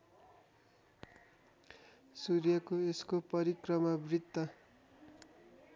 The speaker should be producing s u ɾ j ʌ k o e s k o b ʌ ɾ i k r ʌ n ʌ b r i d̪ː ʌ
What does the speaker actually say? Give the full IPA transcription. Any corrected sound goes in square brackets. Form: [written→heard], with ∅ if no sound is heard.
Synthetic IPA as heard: s u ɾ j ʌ k o e s k o [b→p] ʌ ɾ i k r ʌ [n→m] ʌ b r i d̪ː ʌ